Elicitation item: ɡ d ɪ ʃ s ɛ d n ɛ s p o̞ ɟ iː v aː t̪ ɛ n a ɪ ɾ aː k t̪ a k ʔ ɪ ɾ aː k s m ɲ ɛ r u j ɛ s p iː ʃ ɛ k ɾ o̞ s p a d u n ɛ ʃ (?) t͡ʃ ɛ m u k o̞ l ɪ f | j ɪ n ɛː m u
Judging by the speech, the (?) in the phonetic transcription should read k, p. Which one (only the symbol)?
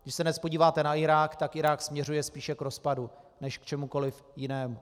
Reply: k